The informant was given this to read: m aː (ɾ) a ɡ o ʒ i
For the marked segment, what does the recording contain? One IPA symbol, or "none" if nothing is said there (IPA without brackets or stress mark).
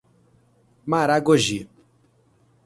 ɾ